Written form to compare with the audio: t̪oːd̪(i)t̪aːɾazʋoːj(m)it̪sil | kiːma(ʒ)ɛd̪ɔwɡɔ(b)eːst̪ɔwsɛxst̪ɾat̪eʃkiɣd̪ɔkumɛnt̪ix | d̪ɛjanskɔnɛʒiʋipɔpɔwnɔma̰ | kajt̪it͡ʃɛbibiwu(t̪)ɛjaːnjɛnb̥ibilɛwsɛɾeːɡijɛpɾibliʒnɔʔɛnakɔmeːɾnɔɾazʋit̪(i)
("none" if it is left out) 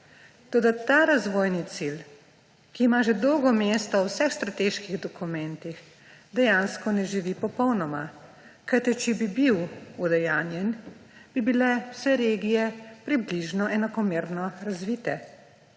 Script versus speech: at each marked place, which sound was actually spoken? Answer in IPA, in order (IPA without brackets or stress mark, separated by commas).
a, n, ʒ, m, d̪, ɛ